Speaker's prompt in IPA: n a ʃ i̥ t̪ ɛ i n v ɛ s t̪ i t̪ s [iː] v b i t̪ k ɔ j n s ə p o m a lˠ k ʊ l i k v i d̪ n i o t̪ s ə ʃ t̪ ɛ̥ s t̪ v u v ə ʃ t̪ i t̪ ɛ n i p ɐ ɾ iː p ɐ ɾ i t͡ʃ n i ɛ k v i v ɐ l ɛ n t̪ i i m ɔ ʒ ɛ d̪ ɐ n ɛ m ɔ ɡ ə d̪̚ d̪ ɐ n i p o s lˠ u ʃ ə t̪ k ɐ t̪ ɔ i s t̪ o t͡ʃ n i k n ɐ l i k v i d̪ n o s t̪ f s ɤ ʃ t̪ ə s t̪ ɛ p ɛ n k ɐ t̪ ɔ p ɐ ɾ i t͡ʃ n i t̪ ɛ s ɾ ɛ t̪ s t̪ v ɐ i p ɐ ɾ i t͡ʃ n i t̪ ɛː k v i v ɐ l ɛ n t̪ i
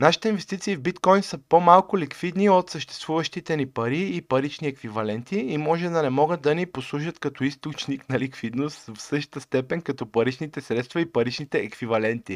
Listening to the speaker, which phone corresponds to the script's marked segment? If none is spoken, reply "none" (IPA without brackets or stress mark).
iː